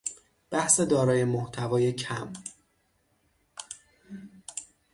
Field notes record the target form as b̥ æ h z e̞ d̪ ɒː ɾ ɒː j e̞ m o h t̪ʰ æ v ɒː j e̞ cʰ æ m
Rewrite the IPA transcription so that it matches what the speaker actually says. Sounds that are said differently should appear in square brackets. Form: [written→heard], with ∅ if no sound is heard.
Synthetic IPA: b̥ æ h [z→s] e̞ d̪ ɒː ɾ ɒː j e̞ m o h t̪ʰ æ v ɒː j e̞ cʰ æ m